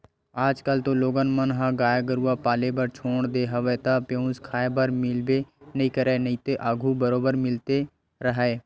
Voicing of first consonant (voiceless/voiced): voiced